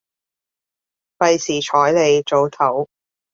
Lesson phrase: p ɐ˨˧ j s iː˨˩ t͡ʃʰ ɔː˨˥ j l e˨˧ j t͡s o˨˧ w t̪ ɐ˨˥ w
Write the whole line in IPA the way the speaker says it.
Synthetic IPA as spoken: p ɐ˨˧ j s iː˨˩ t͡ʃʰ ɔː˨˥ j l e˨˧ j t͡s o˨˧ w t̪ʰ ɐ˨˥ w

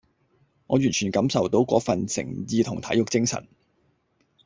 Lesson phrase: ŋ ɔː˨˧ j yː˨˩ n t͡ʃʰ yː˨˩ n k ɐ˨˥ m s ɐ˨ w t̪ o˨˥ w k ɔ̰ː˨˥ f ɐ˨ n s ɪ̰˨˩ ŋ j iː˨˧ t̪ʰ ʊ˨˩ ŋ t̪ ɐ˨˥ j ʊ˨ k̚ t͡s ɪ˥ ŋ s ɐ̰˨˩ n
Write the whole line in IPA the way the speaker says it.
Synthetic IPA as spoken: ŋ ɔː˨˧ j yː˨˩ n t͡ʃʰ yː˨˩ n k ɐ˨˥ m s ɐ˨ w t̪ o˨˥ w k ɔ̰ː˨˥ f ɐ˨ n s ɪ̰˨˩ ŋ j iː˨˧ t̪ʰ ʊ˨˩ ŋ t̪ʰ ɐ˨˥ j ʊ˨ k̚ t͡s ɪ˥ ŋ s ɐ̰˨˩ n

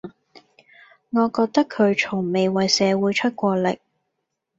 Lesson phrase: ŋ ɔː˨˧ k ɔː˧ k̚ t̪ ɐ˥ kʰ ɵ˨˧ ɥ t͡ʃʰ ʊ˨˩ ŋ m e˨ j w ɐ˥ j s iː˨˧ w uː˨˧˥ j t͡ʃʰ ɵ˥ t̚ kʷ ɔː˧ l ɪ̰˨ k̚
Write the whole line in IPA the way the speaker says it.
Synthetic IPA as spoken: ŋ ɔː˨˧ k ɔː˧ k̚ t̪ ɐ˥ kʰ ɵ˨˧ ɥ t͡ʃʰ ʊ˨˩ ŋ m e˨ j w ɐ˨ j s ɛː˨˧ w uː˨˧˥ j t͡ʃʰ ɵ˥ t̚ kʷ ɔː˧ l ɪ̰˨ k̚

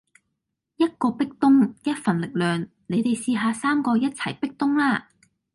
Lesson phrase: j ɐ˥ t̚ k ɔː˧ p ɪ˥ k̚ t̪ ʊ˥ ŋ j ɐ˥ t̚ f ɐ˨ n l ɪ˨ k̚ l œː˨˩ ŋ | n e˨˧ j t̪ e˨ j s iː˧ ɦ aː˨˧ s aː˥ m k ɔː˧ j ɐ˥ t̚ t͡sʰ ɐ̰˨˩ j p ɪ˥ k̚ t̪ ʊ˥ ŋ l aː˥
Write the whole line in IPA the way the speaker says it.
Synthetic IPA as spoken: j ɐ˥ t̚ k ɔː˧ p ɪ˥ k̚ t̪ ʊ˥ ŋ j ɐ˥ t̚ f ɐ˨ n l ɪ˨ k̚ l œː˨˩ ŋ | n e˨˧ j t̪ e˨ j s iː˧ ɦ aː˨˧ s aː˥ m k ɔː˧ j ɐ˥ t̚ t͡sʰ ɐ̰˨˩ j p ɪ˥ k̚ t̪ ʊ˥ ŋ l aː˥

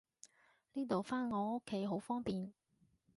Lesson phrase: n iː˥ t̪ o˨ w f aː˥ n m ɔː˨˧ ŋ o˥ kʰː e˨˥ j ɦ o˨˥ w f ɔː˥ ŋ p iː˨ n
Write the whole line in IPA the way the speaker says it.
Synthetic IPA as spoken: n iː˥ t̪ o˨ w f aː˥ n ŋ ɔː˨˧ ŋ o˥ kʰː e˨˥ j ɦ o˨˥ w f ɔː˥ ŋ p iː˨ n

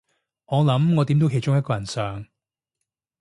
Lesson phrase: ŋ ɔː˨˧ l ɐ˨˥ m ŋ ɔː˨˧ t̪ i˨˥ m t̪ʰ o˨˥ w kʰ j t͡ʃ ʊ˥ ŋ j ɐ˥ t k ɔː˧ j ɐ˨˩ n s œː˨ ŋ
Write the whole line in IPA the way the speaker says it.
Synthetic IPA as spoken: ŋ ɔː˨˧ l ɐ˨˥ m ŋ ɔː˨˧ t̪ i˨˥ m t̪ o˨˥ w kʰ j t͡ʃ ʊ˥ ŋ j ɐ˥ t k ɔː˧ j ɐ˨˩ n s œː˨ ŋ

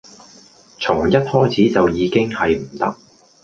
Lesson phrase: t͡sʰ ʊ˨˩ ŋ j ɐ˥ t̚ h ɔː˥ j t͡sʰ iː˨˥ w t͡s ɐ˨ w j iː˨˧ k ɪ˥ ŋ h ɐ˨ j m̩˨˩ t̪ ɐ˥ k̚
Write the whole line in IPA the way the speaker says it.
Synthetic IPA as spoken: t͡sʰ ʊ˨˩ ŋ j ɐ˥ t̚ h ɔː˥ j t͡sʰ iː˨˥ t͡s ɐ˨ w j iː˨˧ k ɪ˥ ŋ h ɐ˨ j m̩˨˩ t̪ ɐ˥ k̚

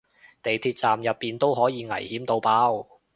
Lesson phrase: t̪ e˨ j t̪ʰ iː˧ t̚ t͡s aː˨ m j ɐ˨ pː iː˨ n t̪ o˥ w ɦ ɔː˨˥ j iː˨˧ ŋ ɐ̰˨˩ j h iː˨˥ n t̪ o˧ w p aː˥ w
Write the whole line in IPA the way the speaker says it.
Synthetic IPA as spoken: t̪ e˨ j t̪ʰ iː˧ t̚ t͡s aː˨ m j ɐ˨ pː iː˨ n t̪ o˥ w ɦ ɔː˨˥ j iː˨˧ ŋ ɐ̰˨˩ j h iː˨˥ m t̪ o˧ w p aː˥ w

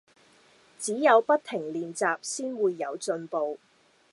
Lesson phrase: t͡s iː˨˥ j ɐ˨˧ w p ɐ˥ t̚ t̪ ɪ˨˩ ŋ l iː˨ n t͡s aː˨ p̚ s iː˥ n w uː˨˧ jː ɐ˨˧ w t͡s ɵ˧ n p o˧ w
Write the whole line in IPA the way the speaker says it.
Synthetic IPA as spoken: t͡s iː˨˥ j ɐ˨˧ w p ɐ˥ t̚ t̪ʰ ɪ˨˩ ŋ l iː˨ n t͡s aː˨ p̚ s iː˥ n w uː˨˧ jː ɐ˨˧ w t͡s ɵ˧ n p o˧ w

